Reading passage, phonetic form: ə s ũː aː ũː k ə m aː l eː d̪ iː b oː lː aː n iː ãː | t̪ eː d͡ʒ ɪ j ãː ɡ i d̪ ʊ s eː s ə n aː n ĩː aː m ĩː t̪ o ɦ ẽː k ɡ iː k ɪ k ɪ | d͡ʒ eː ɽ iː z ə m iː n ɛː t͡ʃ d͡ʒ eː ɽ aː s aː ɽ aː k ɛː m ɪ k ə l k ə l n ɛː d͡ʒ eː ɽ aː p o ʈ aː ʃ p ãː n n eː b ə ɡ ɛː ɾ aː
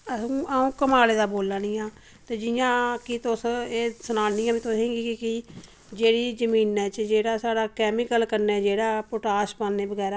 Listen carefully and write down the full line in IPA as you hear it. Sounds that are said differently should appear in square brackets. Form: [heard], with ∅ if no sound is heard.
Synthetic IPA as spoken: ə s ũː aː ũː k ə m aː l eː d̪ [aː] b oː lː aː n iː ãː | t̪ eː d͡ʒ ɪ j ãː [k] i [t̪] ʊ s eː s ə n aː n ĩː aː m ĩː t̪ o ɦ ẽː [∅] ɡ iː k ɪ k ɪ | d͡ʒ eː ɽ iː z ə m iː n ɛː t͡ʃ d͡ʒ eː ɽ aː s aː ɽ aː k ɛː m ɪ k ə l k ə [ɾ] n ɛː d͡ʒ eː ɽ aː p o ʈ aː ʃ p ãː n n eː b ə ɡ ɛː ɾ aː